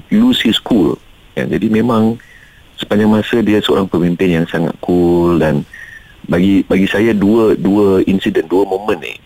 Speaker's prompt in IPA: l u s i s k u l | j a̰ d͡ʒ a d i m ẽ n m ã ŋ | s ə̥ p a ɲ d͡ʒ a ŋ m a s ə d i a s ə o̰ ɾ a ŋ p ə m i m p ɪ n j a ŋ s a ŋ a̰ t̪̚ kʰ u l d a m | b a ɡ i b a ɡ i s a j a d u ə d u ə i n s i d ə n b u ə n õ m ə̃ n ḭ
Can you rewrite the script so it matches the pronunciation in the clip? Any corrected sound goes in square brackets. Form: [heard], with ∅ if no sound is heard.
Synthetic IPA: l u s i s k u l | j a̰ d͡ʒ a d i m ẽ [∅] m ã ŋ | s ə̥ p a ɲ d͡ʒ a ŋ m a s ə d i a s ə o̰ ɾ a ŋ p ə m i m p ɪ n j a ŋ s a ŋ a̰ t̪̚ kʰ u l d a [n] | b a ɡ i b a ɡ i s a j a d u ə d u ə i n s i d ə n [d] u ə [m] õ m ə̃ n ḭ